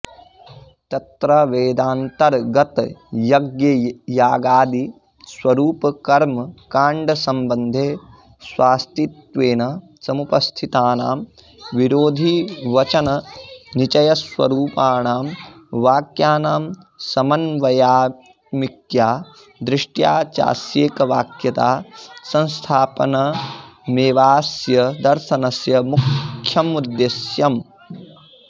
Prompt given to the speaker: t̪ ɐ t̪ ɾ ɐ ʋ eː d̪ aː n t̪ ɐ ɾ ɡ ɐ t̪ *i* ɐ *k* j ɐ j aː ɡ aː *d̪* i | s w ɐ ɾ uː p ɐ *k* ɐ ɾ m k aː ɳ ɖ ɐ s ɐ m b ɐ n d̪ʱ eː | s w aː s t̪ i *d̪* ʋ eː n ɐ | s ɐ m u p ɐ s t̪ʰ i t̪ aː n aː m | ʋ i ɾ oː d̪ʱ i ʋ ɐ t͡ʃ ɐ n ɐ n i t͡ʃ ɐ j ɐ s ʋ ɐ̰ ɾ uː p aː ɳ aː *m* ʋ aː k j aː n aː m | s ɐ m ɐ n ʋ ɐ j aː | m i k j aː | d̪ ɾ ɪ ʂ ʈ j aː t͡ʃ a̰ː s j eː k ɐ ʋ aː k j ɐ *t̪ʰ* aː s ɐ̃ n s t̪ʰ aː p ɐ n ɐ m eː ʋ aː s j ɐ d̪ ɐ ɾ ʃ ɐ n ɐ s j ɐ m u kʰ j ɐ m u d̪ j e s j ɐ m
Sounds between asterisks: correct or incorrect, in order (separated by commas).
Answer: incorrect, incorrect, correct, correct, incorrect, correct, incorrect